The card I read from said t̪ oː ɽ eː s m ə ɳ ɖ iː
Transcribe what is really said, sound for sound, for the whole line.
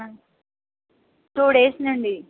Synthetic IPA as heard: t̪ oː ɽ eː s n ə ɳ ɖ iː